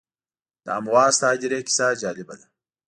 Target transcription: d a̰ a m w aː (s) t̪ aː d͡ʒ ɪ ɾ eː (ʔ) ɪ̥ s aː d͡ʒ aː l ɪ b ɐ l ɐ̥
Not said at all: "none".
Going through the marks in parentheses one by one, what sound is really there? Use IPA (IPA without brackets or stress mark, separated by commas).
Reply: s, k